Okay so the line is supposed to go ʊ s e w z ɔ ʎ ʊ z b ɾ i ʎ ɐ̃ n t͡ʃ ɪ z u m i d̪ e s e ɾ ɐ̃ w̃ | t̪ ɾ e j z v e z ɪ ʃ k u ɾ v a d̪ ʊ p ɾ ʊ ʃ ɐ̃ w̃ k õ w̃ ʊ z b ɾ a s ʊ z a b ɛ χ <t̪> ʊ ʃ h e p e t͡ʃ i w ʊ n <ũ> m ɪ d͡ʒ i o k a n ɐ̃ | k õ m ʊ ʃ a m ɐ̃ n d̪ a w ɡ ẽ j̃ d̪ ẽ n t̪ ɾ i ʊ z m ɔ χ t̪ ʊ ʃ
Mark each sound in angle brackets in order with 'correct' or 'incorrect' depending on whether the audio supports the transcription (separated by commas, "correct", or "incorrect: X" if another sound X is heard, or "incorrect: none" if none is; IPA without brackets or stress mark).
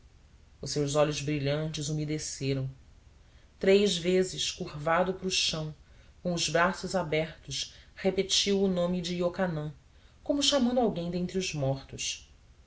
correct, incorrect: õ